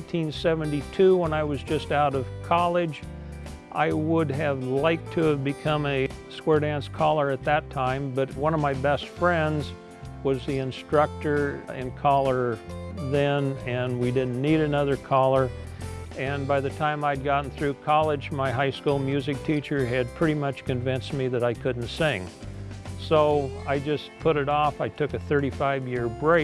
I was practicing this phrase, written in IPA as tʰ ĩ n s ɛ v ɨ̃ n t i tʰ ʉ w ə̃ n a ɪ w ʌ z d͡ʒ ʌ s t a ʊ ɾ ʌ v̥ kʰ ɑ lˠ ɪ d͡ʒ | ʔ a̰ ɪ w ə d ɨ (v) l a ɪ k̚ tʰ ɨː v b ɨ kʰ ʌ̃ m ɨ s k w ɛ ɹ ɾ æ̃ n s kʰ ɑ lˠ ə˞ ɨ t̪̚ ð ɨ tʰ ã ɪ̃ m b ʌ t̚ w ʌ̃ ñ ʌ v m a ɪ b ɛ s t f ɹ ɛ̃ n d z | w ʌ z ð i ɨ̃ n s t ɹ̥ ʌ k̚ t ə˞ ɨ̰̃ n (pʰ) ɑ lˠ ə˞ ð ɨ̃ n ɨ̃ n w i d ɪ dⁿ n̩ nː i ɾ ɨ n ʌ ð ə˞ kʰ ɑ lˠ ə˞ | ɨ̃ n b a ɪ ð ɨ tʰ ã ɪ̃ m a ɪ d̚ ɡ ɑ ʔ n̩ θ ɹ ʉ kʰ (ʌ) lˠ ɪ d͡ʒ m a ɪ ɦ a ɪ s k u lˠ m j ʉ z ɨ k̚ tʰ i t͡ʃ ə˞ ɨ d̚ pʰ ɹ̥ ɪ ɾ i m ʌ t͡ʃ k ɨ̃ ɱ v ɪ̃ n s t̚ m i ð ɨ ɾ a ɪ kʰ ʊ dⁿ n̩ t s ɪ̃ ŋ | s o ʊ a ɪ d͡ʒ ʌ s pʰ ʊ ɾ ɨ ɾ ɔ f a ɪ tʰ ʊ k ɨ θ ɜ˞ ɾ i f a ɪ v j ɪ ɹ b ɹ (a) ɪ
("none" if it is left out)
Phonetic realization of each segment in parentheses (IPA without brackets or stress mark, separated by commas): v, kʰ, ɑ, e